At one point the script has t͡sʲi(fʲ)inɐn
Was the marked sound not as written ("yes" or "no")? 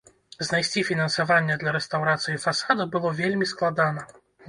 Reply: no